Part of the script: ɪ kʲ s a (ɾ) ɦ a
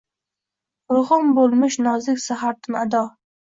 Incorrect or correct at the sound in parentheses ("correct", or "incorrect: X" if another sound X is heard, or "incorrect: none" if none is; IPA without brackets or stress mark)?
incorrect: none